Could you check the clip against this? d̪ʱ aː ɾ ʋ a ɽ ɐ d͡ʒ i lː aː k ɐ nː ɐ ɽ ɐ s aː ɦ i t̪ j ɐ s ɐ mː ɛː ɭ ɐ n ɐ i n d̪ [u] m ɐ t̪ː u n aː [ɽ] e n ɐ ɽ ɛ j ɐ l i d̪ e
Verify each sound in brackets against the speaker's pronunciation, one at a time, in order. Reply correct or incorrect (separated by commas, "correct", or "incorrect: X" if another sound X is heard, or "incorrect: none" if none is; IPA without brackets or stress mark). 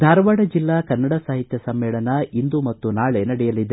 correct, incorrect: ɭ